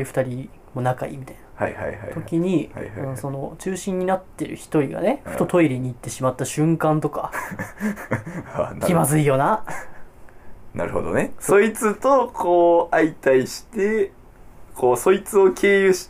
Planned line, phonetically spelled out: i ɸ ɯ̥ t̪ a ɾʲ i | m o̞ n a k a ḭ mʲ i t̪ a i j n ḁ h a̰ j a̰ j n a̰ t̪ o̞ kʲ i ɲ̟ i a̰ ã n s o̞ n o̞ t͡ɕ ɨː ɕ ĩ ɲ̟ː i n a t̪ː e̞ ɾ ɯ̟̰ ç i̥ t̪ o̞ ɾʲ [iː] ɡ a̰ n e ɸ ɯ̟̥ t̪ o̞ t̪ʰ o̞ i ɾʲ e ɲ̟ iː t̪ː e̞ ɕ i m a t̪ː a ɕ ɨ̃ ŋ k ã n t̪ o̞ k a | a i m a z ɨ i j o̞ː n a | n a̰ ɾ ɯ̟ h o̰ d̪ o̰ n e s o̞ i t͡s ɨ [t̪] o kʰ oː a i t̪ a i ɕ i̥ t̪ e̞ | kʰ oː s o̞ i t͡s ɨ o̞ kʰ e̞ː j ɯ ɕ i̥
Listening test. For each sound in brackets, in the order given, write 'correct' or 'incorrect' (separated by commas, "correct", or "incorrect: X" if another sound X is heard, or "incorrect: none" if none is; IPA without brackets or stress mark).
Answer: incorrect: i, correct